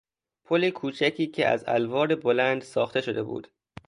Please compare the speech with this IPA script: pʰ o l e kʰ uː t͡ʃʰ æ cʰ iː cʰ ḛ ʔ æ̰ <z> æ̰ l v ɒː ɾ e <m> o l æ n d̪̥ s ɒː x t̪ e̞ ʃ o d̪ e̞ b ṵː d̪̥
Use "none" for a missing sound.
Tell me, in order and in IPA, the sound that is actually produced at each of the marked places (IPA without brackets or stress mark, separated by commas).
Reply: z, b